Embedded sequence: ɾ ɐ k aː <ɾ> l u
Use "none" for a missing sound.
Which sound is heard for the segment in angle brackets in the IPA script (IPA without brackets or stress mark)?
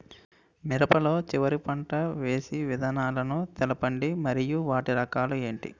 none